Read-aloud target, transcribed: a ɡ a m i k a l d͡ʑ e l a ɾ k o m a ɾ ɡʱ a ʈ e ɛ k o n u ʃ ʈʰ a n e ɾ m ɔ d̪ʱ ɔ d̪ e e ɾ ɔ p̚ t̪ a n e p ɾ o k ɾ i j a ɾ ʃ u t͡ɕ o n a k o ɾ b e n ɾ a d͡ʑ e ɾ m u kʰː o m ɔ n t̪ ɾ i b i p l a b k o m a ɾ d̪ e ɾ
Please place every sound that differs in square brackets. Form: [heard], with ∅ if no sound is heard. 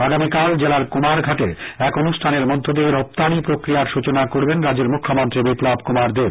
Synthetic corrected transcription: a ɡ a m i k a l d͡ʑ e l a ɾ k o m a ɾ ɡʱ a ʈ e ɛ k o n u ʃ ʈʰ a n e ɾ m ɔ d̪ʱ [o] d̪ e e ɾ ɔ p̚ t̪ a n [i] p ɾ o k ɾ i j a ɾ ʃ u t͡ɕ o n a k o ɾ b e n ɾ a d͡ʑ e ɾ m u kʰː o m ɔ n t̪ ɾ i b i p l a b k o m a ɾ d̪ e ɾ